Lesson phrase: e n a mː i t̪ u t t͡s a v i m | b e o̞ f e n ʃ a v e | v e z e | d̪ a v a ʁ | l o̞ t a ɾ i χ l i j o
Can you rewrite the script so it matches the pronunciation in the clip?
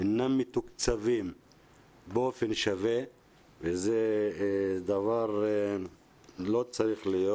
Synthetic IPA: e n a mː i t̪ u k t͡s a v i m | b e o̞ f e n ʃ a v e | v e z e | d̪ a v a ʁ | l o̞ t͡s a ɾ i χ l i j o